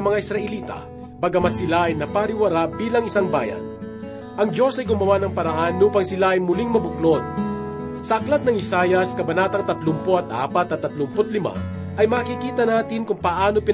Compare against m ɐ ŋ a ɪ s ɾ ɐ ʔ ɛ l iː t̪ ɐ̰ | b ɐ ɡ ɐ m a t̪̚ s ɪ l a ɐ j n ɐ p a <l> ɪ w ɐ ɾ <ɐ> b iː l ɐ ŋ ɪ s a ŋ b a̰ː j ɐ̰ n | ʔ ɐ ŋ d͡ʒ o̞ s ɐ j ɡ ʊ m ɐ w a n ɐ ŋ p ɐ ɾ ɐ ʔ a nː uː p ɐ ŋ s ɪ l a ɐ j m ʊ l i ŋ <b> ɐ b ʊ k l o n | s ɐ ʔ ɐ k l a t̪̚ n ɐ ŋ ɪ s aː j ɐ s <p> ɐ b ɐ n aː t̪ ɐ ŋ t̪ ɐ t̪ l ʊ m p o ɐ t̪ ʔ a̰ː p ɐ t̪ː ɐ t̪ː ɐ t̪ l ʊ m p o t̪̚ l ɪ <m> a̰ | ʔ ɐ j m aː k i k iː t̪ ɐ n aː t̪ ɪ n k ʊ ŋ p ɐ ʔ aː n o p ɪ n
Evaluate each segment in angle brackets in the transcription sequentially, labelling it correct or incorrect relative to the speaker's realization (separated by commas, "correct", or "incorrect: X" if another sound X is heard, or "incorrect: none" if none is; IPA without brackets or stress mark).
incorrect: ɾ, incorrect: a, incorrect: m, incorrect: k, correct